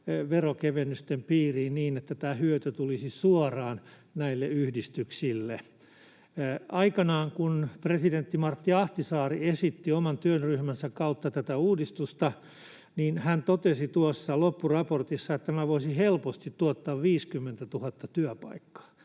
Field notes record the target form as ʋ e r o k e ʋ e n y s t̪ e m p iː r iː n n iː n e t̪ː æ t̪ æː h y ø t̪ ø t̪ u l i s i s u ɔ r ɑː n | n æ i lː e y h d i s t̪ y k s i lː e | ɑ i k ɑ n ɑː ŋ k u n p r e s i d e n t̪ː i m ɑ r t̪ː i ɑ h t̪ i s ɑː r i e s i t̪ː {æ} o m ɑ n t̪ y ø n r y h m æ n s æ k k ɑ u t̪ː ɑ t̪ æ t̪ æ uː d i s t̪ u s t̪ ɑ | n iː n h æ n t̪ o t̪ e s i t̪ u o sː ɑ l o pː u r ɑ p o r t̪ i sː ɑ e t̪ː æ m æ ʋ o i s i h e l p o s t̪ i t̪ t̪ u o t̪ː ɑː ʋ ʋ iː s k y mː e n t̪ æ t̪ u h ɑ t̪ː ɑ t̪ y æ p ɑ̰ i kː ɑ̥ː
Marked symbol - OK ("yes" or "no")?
no